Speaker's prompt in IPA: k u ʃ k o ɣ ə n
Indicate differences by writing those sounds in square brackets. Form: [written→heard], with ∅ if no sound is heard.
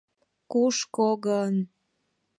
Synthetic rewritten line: k u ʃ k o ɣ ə n

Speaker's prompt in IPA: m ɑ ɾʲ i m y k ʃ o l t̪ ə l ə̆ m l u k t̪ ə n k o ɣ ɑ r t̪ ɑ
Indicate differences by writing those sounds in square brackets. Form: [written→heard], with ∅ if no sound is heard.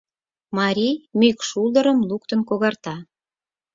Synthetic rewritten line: m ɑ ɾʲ i m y k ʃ [o→u] l [t̪→d̪] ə [l→ɾ] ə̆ m l u k t̪ ə n k o ɣ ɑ r t̪ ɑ

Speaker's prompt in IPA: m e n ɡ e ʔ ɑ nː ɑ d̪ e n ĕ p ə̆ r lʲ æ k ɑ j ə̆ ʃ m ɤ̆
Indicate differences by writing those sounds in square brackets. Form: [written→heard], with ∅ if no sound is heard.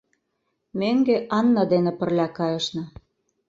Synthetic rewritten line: m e [n→ŋ] ɡ e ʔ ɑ nː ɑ d̪ e n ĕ p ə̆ r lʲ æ k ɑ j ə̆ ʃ [m→n] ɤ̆

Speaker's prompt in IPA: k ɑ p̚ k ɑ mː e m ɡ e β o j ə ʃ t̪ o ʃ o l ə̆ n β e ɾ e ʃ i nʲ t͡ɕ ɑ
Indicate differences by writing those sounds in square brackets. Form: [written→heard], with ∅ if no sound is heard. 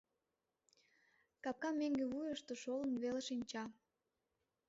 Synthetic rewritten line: k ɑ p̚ k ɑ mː e [m→ŋ] ɡ e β [o→u] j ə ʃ t̪ o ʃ o l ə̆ n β e [ɾ→l] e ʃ i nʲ t͡ɕ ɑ

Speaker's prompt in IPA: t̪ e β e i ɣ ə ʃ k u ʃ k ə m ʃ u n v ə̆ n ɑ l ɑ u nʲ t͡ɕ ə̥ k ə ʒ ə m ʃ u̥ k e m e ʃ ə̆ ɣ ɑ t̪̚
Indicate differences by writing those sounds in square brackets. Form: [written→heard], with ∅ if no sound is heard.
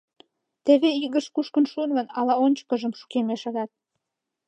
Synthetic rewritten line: t̪ e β e i ɣ ə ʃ k u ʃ k ə [m→n] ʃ u n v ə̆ n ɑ l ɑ [u→o] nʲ t͡ɕ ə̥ k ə ʒ ə m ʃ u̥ k e m e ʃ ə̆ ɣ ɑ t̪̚

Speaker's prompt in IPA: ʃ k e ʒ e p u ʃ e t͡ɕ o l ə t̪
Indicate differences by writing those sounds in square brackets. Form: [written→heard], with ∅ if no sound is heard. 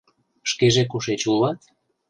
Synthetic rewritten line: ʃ k e ʒ e [p→k] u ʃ e t͡ɕ [o→u] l [ə→ɑ] t̪

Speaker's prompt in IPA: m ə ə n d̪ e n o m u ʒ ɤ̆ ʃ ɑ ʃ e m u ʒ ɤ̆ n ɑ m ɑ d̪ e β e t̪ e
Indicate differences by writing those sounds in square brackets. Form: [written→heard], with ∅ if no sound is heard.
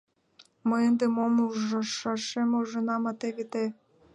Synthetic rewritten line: m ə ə n d̪ e [n→m] o m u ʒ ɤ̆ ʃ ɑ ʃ e m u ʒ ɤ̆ n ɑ m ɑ [d̪→t̪] e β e t̪ e

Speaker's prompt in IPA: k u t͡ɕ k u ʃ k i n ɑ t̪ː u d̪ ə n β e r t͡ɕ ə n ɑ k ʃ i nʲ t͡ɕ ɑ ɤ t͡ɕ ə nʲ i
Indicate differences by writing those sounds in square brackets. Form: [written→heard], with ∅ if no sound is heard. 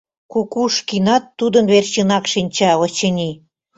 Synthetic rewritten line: k u [t͡ɕ→∅] k u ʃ k i n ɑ t̪ː u d̪ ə n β e r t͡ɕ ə n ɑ k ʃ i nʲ t͡ɕ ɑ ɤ t͡ɕ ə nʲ i

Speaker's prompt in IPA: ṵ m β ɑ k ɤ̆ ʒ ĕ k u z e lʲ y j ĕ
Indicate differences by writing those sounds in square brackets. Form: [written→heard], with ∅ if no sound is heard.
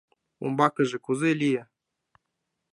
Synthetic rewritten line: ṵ m [β→b] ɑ k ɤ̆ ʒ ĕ k u z e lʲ [y→i] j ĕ

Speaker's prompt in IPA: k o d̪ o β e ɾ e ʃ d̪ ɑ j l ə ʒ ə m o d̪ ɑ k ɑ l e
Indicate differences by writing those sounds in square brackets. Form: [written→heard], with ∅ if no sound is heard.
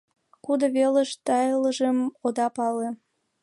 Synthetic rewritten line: k [o→u] d̪ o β e [ɾ→l] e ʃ [d̪→t̪] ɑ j l ə ʒ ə m o d̪ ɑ [k→p] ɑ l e

